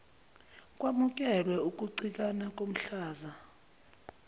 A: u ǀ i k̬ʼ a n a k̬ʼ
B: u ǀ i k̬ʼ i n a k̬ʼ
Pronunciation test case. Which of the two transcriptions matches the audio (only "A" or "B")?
A